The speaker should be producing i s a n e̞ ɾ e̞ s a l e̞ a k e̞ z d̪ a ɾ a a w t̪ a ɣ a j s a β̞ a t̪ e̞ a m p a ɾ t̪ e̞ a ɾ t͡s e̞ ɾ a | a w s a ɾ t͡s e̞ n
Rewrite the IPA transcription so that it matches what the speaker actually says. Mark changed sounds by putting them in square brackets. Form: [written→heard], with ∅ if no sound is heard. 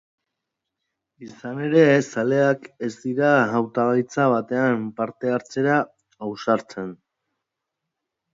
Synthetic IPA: i s a n e̞ ɾ e̞ s a l e̞ a k e̞ z d̪ [a→i] ɾ a a w t̪ a ɣ a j [s→t͡s] a β̞ a t̪ e̞ a m p a ɾ t̪ e̞ a ɾ t͡s e̞ ɾ a | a w s a ɾ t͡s e̞ n

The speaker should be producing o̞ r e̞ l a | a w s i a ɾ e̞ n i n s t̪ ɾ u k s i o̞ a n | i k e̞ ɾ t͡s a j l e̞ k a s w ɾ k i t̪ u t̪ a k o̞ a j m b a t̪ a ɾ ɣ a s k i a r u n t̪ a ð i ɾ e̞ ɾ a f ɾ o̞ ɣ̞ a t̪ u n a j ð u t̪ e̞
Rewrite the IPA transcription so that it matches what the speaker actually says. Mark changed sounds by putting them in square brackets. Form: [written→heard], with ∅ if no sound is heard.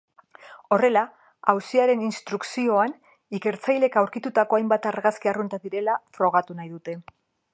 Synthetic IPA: o̞ r e̞ l a | a w s i a ɾ e̞ n i n s t̪ ɾ u k s i o̞ a n | i k e̞ ɾ t͡s a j l e̞ k a [s→∅] w ɾ k i t̪ u t̪ a k o̞ a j m b a t̪ a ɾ ɣ a s k i a r u n t̪ a ð i ɾ e̞ [ɾ→l] a f ɾ o̞ ɣ̞ a t̪ u n a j ð u t̪ e̞

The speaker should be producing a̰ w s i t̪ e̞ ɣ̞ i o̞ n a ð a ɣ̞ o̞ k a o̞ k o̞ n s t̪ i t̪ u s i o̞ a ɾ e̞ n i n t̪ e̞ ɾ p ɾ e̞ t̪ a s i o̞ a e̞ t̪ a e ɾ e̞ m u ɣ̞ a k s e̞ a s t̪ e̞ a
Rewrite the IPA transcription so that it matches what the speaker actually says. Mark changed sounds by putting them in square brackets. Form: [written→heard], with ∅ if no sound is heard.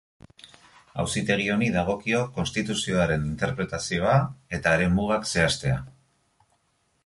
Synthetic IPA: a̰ w s i t̪ e̞ ɣ̞ i o̞ n [a→i] ð a ɣ̞ o̞ k [a→i] o̞ k o̞ n s t̪ i t̪ u s i o̞ a ɾ e̞ n i n t̪ e̞ ɾ p ɾ e̞ t̪ a s i o̞ a e̞ t̪ a e ɾ e̞ m u ɣ̞ a k s e̞ a s t̪ e̞ a

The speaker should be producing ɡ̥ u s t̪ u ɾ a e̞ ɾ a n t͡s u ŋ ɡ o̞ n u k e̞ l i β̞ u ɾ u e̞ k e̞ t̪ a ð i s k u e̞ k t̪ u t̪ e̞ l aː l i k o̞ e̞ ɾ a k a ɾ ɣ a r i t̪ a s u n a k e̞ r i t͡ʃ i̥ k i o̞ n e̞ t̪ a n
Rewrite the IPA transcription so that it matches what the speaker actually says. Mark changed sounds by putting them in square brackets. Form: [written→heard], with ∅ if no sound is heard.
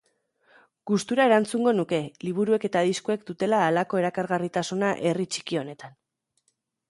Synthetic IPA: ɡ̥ u s t̪ u ɾ a e̞ ɾ a n t͡s u ŋ ɡ o̞ n u k e̞ l i β̞ u ɾ u e̞ k e̞ t̪ a ð i s k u e̞ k [t̪→d̪] u t̪ e̞ l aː l [i→a] k o̞ e̞ ɾ a k a ɾ ɣ a r i t̪ a s u n a [k→ʔ] e̞ r i t͡ʃ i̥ k i o̞ n e̞ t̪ a n

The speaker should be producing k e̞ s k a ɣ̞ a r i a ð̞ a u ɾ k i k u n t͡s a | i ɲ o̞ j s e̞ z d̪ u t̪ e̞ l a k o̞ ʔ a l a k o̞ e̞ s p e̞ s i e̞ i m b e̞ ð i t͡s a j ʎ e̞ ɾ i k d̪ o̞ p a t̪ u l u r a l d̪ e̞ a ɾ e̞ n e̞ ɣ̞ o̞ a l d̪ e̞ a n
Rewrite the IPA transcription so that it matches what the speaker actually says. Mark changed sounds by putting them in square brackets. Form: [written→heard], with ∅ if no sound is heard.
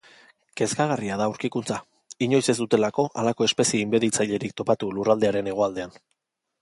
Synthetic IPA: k e̞ s k a ɣ̞ a r i a ð̞ a u ɾ k i k u n t͡s a | i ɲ o̞ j s e̞ z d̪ u t̪ e̞ l a k o̞ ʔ a l a k o̞ e̞ s p e̞ s i e̞ i m b e̞ ð i t͡s a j ʎ e̞ ɾ i k [d̪→t̪] o̞ p a t̪ u l u r a l d̪ e̞ a ɾ e̞ n e̞ ɣ̞ o̞ a l d̪ e̞ a n

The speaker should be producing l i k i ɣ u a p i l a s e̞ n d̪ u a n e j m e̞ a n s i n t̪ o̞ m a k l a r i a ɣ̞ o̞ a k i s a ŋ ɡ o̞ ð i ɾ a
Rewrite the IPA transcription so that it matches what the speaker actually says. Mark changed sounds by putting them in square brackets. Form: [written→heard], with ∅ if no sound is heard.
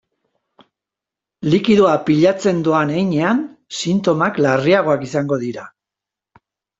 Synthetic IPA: l i k i [ɣ→ð] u a p i [l→ʎ] a [s→t͡s] e̞ n d̪ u a n e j [m→ɲ] e̞ a n s i n t̪ o̞ m a k l a r i a ɣ̞ o̞ a k i s a ŋ ɡ o̞ ð i ɾ a

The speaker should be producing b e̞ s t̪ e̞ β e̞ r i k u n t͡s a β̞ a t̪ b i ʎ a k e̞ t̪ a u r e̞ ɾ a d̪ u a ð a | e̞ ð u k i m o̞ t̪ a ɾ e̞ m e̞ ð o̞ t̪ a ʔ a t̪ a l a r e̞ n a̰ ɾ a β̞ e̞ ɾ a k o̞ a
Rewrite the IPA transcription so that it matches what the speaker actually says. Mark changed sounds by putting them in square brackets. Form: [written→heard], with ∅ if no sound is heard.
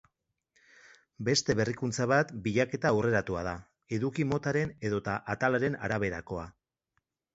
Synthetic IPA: b e̞ s t̪ e̞ β e̞ r i k u n t͡s a β̞ a t̪ b i ʎ a k e̞ t̪ a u r e̞ ɾ a [d̪→t̪] u a ð a | e̞ ð u k i m o̞ t̪ a ɾ e̞ [m→n] e̞ ð o̞ t̪ a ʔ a t̪ a l a [r→ɾ] e̞ n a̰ ɾ a β̞ e̞ ɾ a k o̞ a

